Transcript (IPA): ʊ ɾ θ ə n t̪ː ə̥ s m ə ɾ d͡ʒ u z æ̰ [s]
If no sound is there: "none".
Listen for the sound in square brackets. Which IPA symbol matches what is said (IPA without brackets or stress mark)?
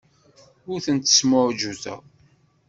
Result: none